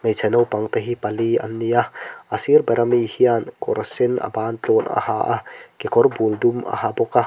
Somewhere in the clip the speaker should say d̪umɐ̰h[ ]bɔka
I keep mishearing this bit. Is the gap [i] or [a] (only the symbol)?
a